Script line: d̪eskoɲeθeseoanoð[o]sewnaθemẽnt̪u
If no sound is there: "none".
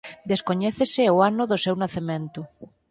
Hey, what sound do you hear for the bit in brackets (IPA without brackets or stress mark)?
o